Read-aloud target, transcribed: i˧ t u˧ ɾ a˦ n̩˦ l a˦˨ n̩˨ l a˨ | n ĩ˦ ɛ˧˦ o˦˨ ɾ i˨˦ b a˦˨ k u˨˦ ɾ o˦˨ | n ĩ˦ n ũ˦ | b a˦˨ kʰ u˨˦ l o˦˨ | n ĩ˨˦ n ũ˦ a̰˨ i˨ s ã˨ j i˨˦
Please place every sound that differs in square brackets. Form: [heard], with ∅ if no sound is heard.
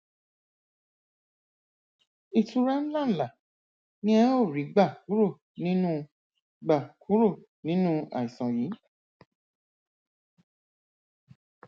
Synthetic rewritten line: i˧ t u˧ ɾ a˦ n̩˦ l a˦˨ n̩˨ l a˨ | n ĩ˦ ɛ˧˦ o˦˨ ɾ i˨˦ [ɡ͡b] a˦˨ k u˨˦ ɾ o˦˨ | n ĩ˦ n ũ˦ | [ɡ͡b] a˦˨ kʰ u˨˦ [ɾ] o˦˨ | n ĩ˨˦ n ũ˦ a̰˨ i˨ s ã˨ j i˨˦